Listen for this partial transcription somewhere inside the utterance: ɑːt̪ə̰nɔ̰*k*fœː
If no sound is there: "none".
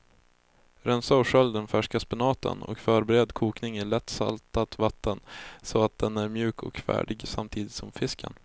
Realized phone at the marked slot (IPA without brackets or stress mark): k